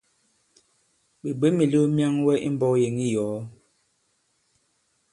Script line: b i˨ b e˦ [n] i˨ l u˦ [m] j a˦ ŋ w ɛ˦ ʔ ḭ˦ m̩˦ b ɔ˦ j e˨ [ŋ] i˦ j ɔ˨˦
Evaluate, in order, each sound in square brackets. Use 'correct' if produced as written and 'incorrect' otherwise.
incorrect: m, correct, correct

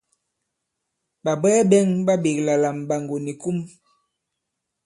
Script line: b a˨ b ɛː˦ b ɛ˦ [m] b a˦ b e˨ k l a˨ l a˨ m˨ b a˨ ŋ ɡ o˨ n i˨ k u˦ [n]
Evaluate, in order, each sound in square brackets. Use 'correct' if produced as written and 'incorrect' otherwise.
incorrect: ŋ, incorrect: m

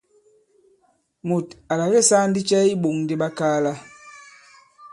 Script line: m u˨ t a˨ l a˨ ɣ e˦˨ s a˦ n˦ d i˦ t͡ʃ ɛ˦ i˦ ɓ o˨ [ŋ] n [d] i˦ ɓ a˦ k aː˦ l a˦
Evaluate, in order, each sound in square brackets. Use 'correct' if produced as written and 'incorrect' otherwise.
correct, correct

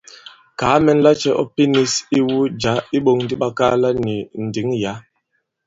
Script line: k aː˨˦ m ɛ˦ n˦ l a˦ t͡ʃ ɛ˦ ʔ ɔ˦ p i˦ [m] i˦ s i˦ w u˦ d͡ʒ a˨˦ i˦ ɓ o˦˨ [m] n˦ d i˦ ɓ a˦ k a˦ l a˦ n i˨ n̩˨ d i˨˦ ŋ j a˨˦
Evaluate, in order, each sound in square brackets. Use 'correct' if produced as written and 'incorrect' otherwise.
incorrect: n, incorrect: ŋ

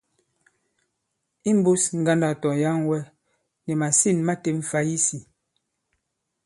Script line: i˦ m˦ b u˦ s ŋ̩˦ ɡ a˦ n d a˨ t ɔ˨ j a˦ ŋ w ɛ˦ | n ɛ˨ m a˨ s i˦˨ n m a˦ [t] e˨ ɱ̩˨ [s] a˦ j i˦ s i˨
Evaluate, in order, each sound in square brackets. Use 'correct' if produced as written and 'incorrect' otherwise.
correct, incorrect: f

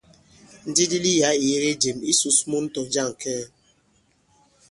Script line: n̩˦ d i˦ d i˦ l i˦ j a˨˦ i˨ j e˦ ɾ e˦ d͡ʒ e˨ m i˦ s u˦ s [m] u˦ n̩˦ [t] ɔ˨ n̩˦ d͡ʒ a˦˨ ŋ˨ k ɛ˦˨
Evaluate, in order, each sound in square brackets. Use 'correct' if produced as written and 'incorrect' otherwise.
correct, correct

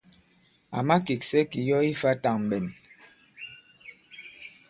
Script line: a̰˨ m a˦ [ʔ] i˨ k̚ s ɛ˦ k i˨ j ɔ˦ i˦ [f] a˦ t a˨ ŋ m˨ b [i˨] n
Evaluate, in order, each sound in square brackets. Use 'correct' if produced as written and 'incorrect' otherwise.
incorrect: k, correct, incorrect: ɛ˨

